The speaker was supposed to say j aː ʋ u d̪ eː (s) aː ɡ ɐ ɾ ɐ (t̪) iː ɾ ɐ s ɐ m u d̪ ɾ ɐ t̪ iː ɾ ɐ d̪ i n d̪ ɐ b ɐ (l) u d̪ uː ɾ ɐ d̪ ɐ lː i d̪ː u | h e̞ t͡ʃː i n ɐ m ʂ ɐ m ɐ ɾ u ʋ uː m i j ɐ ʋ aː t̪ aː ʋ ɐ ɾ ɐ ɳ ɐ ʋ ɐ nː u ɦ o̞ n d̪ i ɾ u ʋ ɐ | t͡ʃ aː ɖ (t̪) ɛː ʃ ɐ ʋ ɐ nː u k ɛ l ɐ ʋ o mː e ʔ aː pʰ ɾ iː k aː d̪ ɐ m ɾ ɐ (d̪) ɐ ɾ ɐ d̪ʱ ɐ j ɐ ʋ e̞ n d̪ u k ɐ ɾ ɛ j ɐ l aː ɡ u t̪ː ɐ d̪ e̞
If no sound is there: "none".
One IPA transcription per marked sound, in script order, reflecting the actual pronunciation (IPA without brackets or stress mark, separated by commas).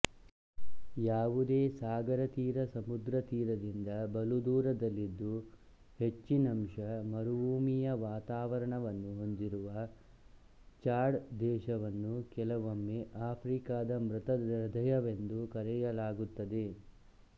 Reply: s, t̪, l, d̪, t̪